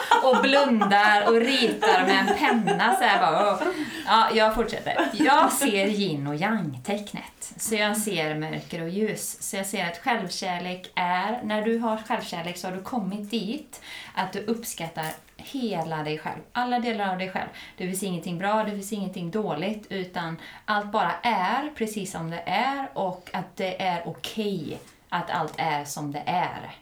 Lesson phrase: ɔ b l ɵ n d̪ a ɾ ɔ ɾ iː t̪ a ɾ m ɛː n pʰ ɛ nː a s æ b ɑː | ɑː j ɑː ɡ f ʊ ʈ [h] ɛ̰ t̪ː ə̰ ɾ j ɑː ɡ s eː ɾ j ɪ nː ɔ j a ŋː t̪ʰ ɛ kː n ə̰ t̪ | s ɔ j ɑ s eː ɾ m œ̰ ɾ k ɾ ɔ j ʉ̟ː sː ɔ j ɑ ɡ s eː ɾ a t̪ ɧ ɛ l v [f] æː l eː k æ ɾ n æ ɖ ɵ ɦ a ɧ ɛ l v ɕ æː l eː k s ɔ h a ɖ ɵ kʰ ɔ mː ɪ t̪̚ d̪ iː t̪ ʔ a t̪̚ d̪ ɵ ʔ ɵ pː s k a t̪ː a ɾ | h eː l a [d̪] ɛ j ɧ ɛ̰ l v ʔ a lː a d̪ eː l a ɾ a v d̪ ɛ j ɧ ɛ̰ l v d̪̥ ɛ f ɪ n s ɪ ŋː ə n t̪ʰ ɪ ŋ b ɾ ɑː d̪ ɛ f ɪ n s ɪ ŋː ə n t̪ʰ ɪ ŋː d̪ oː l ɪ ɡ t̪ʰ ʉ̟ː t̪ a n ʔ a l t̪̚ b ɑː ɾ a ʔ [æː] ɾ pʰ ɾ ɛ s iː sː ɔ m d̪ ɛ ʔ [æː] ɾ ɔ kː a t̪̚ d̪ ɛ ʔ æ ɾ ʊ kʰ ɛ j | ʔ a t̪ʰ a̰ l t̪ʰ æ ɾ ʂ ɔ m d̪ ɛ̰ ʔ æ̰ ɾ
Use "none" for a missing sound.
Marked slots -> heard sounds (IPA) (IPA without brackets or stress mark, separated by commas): ʂ, ɕ, d̪, æ, æ